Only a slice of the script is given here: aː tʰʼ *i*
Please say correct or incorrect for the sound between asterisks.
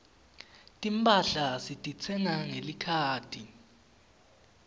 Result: correct